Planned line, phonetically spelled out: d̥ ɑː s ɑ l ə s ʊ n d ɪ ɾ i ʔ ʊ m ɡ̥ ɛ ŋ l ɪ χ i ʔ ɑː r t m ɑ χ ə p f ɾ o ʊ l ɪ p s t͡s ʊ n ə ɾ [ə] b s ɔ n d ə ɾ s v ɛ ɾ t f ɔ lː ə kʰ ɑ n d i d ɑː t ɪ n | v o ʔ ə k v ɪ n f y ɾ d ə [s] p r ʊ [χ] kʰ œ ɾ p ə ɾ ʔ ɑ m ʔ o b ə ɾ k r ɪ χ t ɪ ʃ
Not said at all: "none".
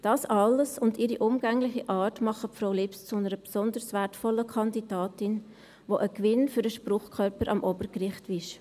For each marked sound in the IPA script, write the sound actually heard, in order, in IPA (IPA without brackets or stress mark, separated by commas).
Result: ə, ʃ, χ